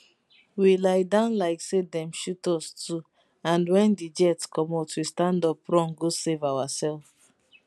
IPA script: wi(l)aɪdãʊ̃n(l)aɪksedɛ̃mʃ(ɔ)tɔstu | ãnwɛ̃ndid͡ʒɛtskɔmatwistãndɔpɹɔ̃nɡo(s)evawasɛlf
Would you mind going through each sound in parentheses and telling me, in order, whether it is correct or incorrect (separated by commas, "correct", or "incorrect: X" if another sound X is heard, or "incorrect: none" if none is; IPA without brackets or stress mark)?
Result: correct, correct, incorrect: u, correct